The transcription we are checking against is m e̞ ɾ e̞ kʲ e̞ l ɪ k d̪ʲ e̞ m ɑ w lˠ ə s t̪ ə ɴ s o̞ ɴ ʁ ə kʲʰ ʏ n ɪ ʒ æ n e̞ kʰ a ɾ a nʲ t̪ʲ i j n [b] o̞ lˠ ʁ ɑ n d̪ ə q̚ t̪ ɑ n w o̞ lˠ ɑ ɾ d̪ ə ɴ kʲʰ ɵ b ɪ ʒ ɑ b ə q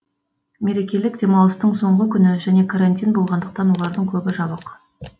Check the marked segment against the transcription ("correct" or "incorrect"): correct